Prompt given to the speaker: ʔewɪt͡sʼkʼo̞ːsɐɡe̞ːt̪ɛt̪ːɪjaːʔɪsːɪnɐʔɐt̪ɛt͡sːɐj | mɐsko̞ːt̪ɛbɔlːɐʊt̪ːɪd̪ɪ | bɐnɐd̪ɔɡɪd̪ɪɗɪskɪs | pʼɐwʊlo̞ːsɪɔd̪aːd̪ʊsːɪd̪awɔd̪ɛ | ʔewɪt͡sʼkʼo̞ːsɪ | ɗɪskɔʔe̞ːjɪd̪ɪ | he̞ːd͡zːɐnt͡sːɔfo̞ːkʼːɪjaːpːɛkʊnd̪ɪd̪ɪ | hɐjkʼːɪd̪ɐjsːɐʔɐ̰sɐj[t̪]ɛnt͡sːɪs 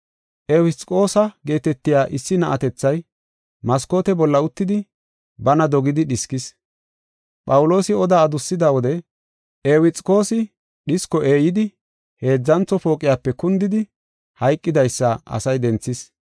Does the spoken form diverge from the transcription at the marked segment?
yes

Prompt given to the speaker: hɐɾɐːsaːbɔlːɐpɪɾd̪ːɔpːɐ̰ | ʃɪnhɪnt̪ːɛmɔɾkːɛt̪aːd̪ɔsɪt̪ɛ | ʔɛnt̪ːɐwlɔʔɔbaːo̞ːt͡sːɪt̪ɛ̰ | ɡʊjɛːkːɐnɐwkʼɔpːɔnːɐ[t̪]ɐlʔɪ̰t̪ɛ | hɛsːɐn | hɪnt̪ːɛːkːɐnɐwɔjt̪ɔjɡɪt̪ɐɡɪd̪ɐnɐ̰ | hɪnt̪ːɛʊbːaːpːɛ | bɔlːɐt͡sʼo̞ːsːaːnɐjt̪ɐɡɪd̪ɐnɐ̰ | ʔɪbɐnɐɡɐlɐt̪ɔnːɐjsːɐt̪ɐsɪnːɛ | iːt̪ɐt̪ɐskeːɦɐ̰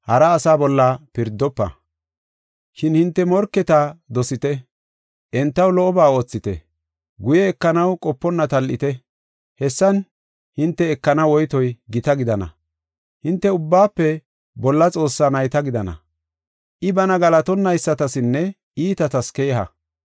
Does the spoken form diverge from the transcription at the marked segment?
no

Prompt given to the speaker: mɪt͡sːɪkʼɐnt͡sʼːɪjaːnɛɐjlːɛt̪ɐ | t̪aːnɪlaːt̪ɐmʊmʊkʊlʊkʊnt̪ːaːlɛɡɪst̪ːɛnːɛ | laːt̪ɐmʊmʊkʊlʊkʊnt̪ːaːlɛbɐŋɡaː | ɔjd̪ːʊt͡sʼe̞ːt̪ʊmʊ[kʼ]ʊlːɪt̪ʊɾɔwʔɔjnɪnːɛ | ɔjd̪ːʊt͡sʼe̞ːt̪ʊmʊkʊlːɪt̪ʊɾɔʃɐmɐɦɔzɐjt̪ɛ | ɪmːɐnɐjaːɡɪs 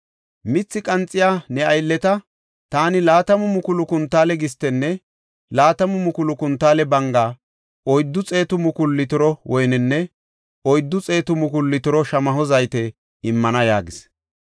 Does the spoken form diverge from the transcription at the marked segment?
yes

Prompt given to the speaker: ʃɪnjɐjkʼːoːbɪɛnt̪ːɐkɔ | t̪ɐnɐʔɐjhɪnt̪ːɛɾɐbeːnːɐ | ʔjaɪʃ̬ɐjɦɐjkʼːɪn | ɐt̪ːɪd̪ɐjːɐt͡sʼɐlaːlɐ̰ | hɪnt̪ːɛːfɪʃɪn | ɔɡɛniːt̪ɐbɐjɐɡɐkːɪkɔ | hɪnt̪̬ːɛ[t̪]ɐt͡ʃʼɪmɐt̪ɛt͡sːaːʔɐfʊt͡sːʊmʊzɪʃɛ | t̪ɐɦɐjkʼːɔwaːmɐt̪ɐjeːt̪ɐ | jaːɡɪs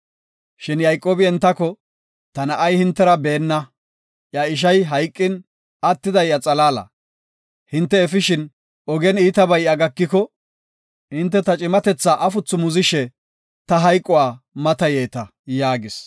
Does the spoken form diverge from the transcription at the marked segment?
no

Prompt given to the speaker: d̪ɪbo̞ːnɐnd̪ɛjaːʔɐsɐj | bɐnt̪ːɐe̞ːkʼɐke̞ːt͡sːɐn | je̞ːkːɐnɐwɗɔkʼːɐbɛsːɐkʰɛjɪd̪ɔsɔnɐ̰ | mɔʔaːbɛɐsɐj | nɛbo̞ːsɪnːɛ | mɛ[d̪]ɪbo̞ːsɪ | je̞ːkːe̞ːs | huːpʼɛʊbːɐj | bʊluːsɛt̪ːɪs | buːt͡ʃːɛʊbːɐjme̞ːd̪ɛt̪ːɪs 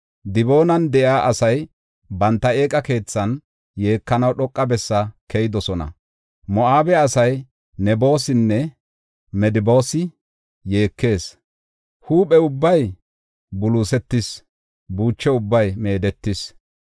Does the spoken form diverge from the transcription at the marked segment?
no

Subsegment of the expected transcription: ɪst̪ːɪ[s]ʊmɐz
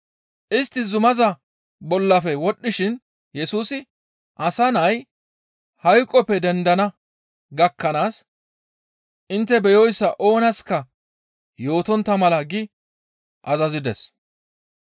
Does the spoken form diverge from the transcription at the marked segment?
yes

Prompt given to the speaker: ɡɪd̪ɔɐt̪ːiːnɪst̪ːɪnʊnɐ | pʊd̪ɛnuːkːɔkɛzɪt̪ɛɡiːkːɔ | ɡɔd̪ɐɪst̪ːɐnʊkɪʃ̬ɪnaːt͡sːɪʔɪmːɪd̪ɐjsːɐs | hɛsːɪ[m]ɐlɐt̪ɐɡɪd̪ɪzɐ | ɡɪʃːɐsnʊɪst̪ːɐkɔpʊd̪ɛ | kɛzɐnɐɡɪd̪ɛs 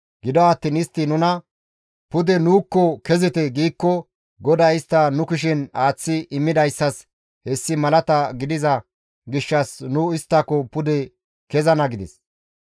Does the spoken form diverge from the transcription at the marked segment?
no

